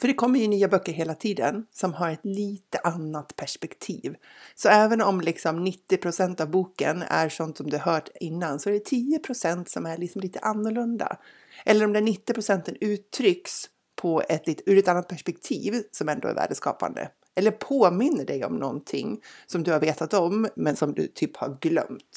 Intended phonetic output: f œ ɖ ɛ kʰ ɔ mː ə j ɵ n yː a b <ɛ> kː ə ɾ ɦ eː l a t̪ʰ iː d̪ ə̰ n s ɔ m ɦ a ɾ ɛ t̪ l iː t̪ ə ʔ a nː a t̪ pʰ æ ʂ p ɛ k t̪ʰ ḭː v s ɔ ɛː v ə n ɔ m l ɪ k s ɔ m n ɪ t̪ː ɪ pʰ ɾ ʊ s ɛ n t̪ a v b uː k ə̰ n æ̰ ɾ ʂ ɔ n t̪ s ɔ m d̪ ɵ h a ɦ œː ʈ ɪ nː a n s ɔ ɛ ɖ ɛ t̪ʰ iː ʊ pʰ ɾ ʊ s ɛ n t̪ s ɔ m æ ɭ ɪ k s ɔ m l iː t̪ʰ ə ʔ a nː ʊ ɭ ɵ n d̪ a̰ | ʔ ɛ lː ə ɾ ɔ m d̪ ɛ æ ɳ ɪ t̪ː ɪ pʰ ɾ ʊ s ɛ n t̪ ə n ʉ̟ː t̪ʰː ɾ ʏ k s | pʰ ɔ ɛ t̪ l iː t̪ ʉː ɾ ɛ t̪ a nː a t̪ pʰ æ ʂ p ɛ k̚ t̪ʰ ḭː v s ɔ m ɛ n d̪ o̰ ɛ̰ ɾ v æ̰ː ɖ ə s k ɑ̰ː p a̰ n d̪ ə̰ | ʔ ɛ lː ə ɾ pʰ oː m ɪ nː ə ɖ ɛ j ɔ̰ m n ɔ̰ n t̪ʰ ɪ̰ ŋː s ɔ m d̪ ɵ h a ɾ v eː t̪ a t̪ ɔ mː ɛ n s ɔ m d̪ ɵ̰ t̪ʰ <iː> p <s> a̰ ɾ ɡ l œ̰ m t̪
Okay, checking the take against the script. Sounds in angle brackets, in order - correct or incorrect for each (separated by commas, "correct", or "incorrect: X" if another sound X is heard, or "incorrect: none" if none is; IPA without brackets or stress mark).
incorrect: œ, incorrect: yː, incorrect: h